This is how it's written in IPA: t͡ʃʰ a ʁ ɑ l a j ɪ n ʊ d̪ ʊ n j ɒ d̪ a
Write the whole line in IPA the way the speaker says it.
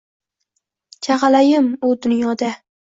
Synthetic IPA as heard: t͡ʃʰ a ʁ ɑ l a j ɪ m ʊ d̪ ʊ n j ɒ d̪ a